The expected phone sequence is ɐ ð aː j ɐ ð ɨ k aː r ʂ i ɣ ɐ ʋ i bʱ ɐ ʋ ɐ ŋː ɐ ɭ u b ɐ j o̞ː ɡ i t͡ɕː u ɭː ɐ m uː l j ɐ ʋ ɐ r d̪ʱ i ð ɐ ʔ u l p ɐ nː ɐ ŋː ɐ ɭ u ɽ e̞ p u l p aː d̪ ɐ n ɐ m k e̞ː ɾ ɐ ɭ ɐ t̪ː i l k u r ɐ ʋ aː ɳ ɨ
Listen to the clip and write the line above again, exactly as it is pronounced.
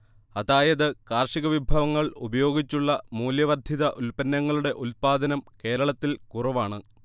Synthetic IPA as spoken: ɐ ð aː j ɐ ð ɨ k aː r ʂ i ɣ ɐ ʋ i bʱ ɐ ʋ ɐ ŋː ɐ ɭ u b ɐ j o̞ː ɡ i t͡ɕː u ɭː ɐ m uː l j ɐ ʋ ɐ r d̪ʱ i ð ɐ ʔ u l p ɐ nː ɐ ŋː ɐ ɭ u ɽ e̞ ʔ u l p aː d̪ ɐ n ɐ m k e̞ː ɾ ɐ ɭ ɐ t̪ː i l k u r ɐ ʋ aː ɳ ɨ